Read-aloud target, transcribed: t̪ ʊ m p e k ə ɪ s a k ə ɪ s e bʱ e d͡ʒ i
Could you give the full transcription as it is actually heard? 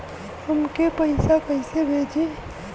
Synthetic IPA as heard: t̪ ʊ m k e p ə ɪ s a k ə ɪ s e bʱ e d͡ʒ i